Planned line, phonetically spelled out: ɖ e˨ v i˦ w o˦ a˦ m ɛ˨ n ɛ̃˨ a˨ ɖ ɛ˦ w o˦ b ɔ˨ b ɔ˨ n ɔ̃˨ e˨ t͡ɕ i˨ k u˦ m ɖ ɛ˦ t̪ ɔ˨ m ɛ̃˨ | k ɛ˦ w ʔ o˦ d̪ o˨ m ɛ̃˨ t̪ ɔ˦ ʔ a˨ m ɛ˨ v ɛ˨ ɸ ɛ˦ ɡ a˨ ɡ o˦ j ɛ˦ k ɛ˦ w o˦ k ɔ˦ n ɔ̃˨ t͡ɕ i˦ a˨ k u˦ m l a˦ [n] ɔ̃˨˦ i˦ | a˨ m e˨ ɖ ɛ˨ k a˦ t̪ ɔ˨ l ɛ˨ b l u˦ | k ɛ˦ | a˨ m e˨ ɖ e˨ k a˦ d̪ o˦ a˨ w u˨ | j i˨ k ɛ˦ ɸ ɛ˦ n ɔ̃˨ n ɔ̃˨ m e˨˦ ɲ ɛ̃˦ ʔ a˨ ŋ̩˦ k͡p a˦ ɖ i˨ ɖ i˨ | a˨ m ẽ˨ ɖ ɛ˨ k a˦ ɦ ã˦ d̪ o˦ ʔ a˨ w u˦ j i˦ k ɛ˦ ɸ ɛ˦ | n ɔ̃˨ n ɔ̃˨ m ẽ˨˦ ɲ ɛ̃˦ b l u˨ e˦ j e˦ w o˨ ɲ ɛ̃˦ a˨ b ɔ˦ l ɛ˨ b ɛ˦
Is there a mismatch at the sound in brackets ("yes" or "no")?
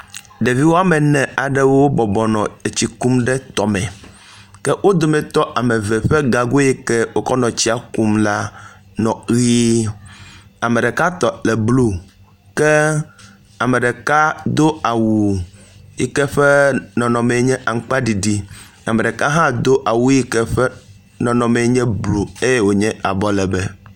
no